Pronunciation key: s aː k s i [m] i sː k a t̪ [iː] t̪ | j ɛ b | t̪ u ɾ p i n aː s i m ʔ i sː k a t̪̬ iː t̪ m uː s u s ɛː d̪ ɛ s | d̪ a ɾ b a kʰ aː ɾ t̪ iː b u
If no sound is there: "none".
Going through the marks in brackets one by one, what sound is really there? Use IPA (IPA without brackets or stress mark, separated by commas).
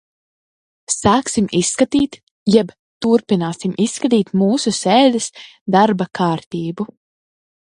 m, iː